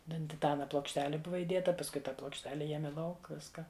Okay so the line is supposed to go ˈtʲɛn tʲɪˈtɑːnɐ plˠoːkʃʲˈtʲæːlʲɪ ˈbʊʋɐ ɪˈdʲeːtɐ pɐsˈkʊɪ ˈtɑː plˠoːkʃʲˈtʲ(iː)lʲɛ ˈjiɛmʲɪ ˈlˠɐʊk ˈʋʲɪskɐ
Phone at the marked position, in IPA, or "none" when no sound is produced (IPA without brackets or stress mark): æː